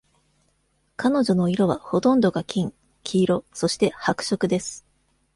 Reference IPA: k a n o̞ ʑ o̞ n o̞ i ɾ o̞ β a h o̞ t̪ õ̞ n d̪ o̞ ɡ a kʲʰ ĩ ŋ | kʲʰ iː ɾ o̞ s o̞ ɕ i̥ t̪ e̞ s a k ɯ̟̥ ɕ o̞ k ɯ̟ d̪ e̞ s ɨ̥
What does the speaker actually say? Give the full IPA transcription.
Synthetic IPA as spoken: k a n o̞ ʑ o̞ n o̞ i ɾ o̞ β a h o̞ t̪ õ̞ n d̪ o̞ ɡ a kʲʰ ĩ ŋ | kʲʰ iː ɾ o̞ s o̞ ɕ i̥ t̪ e̞ h a k ɯ̟̥ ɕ o̞ k ɯ̟ d̪ e̞ s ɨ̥